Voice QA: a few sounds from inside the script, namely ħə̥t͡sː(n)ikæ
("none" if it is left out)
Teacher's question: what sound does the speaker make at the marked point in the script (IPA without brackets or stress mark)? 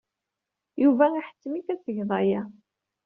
m